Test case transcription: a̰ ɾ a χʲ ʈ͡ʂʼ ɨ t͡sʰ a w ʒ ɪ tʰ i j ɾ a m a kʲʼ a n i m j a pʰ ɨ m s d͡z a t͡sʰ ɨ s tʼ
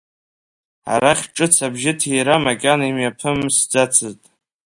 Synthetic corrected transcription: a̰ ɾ a χʲ ʈ͡ʂʼ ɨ t͡sʰ a b ʒ ɪ tʰ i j ɾ a m a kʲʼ a n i m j a pʰ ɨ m s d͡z a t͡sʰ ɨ z tʼ